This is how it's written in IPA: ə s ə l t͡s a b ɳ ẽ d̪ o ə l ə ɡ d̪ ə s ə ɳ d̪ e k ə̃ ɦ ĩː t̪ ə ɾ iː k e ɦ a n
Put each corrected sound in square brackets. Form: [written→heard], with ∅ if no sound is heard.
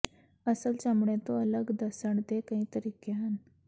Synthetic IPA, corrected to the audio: ə s ə l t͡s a [b→m] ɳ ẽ [d̪→t̪] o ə l ə ɡ d̪ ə s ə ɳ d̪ e k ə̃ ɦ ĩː t̪ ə ɾ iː k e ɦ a n